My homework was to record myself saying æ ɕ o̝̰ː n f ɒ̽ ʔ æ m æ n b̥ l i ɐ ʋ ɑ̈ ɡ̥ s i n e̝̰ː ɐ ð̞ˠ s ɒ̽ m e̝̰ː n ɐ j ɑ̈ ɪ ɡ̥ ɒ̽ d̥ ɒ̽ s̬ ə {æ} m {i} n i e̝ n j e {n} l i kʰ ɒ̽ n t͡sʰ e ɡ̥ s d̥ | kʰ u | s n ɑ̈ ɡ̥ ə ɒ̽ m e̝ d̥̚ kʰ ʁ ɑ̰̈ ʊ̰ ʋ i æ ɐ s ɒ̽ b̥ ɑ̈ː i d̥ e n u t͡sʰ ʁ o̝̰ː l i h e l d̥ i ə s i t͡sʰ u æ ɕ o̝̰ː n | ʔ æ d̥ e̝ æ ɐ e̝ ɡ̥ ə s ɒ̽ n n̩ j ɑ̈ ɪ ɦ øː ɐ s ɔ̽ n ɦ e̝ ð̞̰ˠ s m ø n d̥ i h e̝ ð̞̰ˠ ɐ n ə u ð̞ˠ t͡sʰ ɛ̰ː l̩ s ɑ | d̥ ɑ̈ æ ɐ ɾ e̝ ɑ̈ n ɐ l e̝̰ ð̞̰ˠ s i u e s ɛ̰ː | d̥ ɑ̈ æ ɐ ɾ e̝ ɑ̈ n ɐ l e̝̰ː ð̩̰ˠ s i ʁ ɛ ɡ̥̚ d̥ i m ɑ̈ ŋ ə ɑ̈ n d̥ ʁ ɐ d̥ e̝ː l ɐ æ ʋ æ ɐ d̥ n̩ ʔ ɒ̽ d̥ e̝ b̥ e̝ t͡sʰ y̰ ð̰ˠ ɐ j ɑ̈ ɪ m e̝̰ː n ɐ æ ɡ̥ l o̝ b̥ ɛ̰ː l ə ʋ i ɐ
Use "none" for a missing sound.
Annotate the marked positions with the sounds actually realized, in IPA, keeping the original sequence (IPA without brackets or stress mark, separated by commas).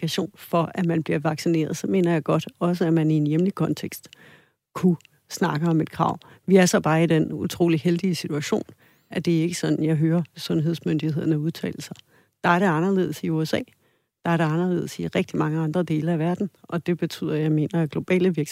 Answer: æ, æ, m